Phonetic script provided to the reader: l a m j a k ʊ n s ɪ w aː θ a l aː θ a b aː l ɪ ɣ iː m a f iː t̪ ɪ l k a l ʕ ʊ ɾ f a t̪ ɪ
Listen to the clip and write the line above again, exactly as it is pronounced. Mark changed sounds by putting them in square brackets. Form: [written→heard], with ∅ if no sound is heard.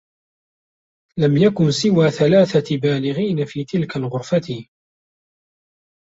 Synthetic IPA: l a m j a k ʊ n s ɪ w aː θ a l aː θ a b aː l ɪ ɣ iː [m→n] a f iː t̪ ɪ l k a l [ʕ→ɣ] ʊ ɾ f a t̪ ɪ